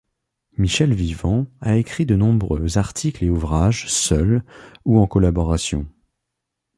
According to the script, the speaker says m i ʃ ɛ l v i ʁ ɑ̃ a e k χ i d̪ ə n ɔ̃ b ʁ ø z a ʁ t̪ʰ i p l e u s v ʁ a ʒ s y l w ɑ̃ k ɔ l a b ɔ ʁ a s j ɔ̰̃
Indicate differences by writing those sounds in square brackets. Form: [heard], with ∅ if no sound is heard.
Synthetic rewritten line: m i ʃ ɛ l v i [v] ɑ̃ a e k χ i d̪ ə n ɔ̃ b ʁ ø z a ʁ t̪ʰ i [k] l e u [∅] v ʁ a ʒ s [œ] l [u] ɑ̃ k ɔ l a b ɔ ʁ a s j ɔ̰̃